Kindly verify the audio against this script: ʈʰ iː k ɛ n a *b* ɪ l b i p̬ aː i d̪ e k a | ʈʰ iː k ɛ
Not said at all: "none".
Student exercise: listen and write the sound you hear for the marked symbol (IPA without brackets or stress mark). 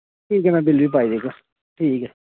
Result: b